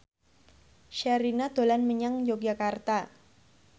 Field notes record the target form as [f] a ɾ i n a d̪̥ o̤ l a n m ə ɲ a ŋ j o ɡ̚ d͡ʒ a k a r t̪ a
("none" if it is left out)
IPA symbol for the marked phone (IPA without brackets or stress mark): ʃ